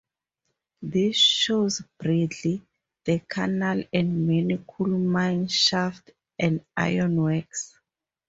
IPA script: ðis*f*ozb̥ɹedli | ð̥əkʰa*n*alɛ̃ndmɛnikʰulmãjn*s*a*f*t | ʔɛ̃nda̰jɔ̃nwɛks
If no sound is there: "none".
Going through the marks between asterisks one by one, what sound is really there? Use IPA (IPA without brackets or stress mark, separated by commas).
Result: ʃ, n, ʃ, f